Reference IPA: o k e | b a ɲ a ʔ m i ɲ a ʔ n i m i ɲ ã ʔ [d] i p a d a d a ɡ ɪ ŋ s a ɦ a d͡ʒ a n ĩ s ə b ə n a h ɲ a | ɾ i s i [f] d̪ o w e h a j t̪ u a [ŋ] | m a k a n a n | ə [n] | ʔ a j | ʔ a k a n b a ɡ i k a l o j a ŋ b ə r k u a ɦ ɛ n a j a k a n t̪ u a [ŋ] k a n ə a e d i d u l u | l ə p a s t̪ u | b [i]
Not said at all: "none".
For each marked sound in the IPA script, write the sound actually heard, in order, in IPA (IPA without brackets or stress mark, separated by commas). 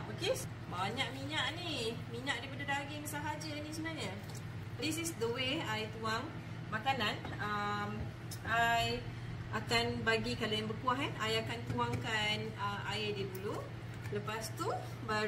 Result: d, s, ŋ, m, ŋ, a